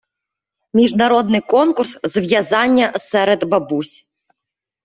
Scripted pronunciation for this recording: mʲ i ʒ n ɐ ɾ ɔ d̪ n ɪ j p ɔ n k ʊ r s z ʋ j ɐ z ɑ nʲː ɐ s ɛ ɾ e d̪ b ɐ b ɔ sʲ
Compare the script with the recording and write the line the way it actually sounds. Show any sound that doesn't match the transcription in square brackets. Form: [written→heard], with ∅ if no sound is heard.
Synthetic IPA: mʲ i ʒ n ɐ ɾ ɔ d̪ n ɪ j [p→k] ɔ n k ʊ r s z ʋ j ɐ z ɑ nʲː ɐ s ɛ ɾ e d̪ b ɐ b [ɔ→u] sʲ